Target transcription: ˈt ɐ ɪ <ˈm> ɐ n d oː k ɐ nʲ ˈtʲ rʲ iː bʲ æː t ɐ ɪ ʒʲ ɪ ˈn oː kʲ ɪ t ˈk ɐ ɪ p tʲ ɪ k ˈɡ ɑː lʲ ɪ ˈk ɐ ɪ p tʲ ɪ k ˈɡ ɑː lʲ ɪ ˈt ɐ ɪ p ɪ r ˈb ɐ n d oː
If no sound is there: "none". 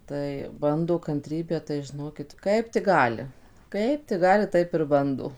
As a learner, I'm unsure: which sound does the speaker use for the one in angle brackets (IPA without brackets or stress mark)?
b